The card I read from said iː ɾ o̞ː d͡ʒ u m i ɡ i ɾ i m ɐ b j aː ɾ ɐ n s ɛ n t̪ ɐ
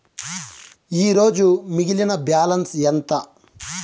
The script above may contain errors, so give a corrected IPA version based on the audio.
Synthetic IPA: iː ɾ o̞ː d͡ʒ u m i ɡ i l i n ɐ b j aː l ɐ n s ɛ n t̪ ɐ